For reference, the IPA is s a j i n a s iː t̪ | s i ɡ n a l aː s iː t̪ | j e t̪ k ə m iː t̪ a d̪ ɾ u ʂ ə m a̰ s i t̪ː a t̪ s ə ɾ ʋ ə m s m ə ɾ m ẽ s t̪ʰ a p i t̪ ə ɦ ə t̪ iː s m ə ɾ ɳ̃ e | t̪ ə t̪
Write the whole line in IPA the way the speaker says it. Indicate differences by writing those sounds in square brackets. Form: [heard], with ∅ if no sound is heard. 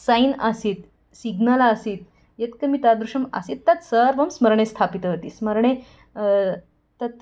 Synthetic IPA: s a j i n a s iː t̪ | s i ɡ n a l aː s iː t̪ | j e t̪ k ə m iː t̪ a d̪ ɾ u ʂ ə m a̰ s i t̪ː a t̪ s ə ɾ ʋ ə m s m ə ɾ [ɳ] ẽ s t̪ʰ a p i t̪ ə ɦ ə t̪ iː s m ə ɾ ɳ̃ e | t̪ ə t̪